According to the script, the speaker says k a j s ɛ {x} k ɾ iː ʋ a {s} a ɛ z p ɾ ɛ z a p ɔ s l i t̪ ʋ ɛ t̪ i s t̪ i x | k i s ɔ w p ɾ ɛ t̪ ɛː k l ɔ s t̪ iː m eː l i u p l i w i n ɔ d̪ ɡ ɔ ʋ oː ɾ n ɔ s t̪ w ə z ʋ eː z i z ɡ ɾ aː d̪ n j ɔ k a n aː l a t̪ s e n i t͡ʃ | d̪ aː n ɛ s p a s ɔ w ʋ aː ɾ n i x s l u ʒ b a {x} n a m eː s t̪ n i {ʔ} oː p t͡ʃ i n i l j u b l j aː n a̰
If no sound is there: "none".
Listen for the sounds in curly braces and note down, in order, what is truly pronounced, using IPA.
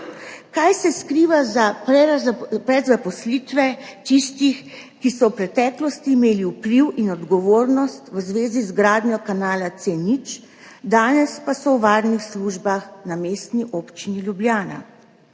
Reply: s, z, x, ʔ

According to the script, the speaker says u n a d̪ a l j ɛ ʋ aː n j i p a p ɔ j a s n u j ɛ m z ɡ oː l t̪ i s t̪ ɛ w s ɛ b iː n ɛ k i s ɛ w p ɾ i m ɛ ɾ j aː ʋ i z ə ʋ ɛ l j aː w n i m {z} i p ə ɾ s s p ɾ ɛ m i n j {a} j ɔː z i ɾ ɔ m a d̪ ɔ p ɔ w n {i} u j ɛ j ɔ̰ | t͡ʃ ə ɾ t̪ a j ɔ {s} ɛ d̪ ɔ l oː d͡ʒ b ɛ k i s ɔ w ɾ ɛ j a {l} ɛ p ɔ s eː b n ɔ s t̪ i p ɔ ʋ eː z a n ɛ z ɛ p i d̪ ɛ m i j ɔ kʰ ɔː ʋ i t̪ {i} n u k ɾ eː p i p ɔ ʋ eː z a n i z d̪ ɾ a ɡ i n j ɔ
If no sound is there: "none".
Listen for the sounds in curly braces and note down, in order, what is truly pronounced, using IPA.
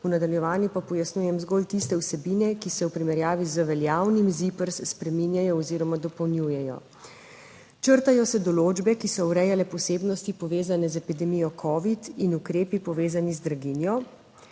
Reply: z, a, j, s, l, i

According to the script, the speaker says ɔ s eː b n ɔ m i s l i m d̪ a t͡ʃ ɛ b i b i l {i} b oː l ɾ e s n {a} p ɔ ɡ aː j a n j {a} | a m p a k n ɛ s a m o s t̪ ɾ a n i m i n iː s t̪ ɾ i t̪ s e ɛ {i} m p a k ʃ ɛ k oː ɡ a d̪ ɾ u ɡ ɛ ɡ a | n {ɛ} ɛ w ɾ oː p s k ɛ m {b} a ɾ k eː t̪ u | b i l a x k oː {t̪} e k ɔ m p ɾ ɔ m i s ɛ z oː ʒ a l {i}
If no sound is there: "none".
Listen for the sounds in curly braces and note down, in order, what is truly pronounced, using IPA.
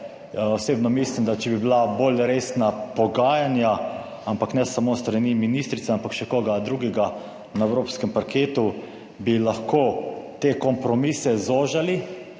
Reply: a, a, a, a, a, p, t̪, i

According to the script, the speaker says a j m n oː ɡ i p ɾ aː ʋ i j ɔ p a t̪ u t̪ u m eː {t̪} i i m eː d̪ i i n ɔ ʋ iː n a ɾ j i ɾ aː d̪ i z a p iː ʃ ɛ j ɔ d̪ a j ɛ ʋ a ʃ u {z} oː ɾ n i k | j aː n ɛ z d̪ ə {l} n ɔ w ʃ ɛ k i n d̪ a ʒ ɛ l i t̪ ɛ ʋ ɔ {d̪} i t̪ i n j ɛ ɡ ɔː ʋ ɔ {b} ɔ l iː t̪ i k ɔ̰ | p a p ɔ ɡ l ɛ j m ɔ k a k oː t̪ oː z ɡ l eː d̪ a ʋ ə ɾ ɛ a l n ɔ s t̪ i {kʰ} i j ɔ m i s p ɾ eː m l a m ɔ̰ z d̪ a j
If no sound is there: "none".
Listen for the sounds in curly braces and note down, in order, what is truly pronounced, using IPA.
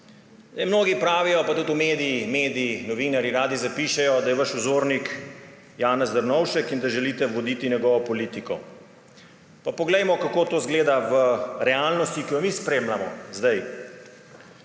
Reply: d̪, z, ɾ, d̪, p, k

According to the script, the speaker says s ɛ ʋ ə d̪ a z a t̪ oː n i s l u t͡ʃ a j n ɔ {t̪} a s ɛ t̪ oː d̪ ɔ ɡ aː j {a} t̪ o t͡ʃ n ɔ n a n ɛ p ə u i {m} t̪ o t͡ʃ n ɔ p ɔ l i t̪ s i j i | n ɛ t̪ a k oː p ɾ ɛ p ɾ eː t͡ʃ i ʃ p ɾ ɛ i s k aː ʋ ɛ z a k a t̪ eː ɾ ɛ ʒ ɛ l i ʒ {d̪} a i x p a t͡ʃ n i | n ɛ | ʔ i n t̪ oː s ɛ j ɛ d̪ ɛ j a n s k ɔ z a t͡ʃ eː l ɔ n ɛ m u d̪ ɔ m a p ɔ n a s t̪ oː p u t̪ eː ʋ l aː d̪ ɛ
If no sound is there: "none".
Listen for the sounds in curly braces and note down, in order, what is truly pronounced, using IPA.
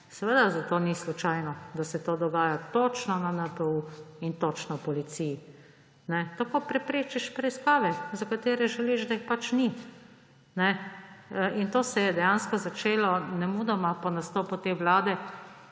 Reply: d̪, a, n, d̪

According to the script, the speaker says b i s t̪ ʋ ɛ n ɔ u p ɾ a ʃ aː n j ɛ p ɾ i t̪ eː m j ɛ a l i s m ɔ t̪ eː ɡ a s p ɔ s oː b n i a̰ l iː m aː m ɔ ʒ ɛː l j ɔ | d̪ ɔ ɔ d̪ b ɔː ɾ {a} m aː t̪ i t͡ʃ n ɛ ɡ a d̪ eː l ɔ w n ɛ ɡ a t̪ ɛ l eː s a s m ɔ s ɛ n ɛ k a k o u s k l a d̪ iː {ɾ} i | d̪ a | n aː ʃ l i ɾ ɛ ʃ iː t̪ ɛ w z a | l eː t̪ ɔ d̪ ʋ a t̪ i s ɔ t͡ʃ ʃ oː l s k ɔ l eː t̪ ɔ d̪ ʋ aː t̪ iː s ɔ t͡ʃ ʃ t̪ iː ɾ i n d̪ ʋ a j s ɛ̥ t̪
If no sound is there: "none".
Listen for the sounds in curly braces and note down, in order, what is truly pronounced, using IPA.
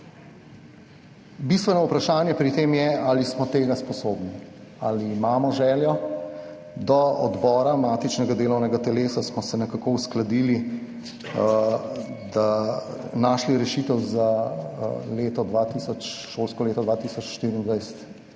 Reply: a, l

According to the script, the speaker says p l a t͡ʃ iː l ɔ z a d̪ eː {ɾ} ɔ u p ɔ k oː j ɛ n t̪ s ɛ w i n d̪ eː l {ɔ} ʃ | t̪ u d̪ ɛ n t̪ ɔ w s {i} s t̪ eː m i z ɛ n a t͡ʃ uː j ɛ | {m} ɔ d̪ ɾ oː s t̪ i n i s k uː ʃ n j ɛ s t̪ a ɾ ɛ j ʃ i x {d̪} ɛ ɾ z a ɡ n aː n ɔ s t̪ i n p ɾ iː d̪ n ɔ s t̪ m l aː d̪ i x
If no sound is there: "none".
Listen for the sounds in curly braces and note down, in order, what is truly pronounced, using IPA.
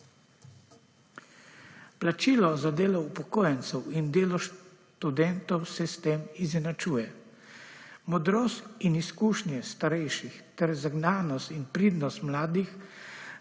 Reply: l, ɔ, ɛ, m, t̪

